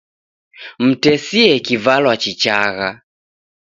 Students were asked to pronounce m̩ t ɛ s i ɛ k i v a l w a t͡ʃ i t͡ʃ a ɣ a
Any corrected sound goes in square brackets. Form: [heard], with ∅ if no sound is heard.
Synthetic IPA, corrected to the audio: m̩ t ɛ s i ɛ k i v a l w a t͡ʃ i t͡ʃ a ɣ a